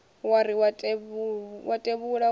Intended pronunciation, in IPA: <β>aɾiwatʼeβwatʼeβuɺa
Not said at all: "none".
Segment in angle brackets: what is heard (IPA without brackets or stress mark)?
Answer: w